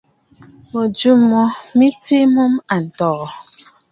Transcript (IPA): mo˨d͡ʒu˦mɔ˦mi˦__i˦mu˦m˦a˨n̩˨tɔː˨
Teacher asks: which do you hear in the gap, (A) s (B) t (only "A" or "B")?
B